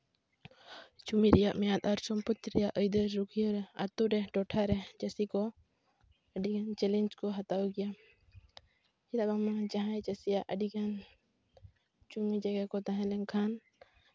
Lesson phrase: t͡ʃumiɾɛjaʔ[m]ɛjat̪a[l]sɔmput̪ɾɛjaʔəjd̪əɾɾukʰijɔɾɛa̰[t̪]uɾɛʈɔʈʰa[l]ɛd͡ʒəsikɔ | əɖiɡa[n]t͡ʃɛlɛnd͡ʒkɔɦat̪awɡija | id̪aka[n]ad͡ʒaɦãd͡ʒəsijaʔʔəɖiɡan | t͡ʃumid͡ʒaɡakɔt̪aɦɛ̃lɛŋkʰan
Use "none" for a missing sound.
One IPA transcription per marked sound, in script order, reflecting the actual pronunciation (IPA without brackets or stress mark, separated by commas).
m, ɾ, t̪, ɾ, n, m